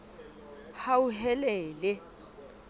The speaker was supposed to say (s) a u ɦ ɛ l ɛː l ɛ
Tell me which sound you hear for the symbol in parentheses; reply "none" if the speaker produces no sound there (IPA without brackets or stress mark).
h